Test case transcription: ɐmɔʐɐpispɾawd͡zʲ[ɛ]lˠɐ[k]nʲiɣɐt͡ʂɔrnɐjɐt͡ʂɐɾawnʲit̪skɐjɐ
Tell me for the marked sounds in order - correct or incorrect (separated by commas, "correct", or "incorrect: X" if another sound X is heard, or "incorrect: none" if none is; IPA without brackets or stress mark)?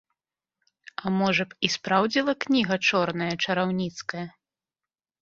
incorrect: i, correct